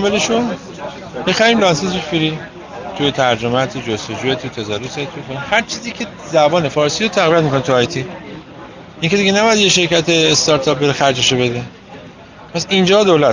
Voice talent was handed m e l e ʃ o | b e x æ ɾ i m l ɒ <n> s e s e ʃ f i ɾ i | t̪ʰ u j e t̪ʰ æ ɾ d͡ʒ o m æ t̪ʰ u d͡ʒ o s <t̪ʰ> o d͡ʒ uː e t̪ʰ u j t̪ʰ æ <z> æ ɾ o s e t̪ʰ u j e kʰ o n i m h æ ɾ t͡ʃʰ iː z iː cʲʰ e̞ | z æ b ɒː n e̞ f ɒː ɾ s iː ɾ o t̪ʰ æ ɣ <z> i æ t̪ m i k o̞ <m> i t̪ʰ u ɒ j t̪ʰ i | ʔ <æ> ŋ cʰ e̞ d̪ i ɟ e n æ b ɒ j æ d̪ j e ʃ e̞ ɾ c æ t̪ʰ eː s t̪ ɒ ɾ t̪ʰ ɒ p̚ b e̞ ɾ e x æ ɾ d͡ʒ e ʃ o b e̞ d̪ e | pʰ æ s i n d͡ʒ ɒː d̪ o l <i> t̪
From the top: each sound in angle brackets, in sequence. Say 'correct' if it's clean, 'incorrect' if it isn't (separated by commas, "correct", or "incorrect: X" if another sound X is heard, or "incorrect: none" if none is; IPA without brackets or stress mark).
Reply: correct, incorrect: t̪, correct, incorrect: v, incorrect: n, incorrect: i, incorrect: æ